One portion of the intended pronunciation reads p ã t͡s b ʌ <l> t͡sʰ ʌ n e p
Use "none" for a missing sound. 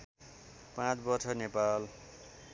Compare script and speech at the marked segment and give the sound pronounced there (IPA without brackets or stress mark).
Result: r